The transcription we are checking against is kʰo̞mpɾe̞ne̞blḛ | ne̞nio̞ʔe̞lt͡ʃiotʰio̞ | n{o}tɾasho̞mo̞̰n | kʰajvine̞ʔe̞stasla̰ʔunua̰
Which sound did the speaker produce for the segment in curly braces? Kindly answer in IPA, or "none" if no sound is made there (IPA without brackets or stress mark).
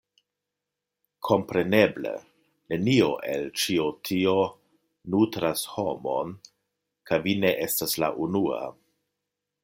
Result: u